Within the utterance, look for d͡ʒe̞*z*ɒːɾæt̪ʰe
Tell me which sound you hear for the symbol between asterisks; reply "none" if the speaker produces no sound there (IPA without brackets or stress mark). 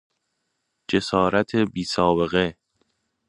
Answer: s